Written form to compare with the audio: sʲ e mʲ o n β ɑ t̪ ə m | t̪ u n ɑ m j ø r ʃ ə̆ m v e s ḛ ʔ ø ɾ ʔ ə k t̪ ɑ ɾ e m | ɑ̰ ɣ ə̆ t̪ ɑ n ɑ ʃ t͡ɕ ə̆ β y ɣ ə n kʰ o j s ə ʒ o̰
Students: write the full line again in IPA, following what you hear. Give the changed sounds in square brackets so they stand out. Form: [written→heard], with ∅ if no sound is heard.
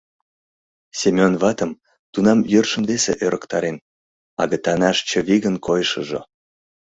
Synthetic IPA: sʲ e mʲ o n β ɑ t̪ ə m | t̪ u n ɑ m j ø r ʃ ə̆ m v e s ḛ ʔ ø ɾ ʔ ə k t̪ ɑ ɾ e [m→n] | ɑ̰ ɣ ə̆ t̪ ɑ n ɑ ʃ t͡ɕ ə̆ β [y→i] ɣ ə n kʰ o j [s→ʃ] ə ʒ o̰